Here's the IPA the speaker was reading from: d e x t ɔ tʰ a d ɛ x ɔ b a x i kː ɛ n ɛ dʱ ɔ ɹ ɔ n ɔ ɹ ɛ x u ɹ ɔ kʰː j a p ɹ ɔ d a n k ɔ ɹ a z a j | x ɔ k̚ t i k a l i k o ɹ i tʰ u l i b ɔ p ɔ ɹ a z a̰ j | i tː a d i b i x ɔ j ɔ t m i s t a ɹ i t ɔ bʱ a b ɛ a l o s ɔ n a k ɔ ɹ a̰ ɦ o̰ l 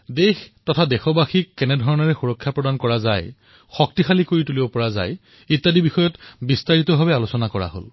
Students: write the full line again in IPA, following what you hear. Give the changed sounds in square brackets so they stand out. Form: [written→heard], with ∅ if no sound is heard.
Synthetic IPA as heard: d e x t ɔ tʰ a d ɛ x ɔ b a x i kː ɛ n ɛ dʱ ɔ ɹ ɔ n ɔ ɹ ɛ x u ɹ ɔ kʰː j a p ɹ ɔ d a n k ɔ ɹ a z a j | x ɔ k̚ t i [k→x] a l i k o ɹ i [tʰ→t] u l i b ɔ p ɔ ɹ a z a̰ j | i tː a d i b i x ɔ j ɔ t [m→b] i s t a ɹ i t ɔ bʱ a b ɛ a l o s ɔ n a k ɔ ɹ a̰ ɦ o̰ l

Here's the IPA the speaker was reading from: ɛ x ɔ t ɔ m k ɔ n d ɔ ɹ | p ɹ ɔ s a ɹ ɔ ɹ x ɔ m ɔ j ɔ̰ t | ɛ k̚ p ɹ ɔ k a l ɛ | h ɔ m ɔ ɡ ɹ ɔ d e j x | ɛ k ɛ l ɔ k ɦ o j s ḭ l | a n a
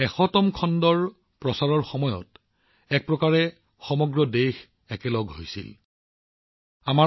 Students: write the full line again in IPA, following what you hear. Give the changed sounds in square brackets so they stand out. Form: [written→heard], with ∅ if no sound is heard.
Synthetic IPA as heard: ɛ x ɔ t ɔ m [k→kʰ] ɔ n d ɔ ɹ | p ɹ ɔ s a ɹ ɔ ɹ x ɔ m ɔ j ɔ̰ t | ɛ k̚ p ɹ ɔ k a [l→ɹ] ɛ | [h→x] ɔ m ɔ ɡ ɹ ɔ d e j x | ɛ k ɛ l ɔ [k→ɡ] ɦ o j s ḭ l | a [n→m] a

